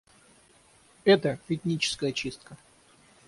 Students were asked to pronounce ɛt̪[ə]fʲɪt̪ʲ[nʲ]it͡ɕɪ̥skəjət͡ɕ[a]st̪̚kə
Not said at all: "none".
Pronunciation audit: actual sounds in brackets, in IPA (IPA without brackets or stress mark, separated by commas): ə, nʲ, i